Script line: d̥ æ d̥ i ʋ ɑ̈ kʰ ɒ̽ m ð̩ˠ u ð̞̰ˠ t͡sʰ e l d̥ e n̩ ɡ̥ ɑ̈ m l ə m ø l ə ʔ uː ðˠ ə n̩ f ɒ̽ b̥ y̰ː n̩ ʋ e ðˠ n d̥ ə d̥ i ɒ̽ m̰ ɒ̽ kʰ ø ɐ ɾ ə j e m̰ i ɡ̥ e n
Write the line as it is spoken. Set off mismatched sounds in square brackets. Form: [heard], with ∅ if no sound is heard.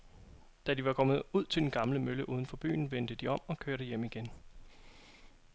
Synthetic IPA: d̥ æ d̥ i ʋ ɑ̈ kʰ ɒ̽ m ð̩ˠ u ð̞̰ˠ t͡sʰ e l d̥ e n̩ ɡ̥ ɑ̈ m l ə m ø l ə ʔ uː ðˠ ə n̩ f ɒ̽ b̥ y̰ː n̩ ʋ e [∅] n d̥ ə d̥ i ɒ̽ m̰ ɒ̽ kʰ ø ɐ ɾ ə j e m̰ i ɡ̥ e n